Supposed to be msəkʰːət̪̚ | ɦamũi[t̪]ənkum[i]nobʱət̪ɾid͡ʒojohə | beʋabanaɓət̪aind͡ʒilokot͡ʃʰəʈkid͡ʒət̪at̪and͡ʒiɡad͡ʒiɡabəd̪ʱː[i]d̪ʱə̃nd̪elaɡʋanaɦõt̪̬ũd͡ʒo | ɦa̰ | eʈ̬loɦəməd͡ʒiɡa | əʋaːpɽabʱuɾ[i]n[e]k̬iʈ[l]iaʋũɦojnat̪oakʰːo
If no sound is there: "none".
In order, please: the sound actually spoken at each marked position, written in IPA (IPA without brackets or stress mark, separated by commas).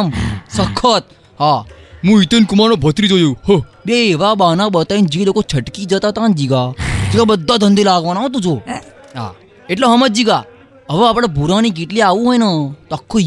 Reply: t̪, a, a, a, i, l